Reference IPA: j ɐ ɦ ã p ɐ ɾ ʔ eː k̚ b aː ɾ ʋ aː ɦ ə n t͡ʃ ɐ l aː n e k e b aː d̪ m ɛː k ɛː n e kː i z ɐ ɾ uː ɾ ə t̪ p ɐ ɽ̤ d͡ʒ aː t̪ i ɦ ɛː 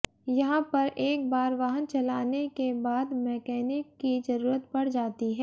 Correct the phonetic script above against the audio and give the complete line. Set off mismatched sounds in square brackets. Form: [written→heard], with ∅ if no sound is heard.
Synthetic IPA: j ɐ ɦ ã p ɐ ɾ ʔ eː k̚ b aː ɾ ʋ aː ɦ ə n t͡ʃ ɐ l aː n e k e b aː d̪ m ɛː k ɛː n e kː i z ɐ ɾ uː ɾ ə t̪ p ɐ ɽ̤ d͡ʒ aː t̪ i ɦ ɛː